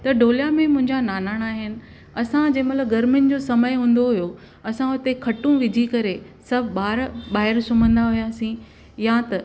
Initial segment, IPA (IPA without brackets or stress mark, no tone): t̪